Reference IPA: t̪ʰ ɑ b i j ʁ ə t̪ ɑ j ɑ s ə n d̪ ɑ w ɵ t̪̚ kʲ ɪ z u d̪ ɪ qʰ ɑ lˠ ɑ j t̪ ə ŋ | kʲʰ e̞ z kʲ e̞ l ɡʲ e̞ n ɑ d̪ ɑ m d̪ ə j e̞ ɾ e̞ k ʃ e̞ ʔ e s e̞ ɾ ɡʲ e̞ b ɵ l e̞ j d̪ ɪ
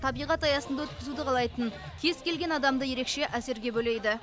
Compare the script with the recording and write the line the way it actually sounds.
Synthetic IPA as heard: t̪ʰ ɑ b i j ʁ ɑ t̪ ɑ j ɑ s ə n d̪ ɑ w ɵ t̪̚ kʲ ɪ z u d̪ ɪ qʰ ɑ lˠ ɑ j t̪ ə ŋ | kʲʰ e̞ z kʲ e̞ l ɡʲ e̞ n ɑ d̪ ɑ m d̪ ə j e̞ ɾ e̞ k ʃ e̞ ʔ æ s e̞ ɾ ɡʲ e̞ b ɵ l e̞ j d̪ ɪ